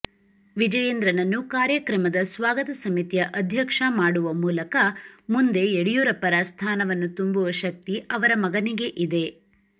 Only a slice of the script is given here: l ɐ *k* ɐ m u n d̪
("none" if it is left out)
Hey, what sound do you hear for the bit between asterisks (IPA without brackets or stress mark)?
k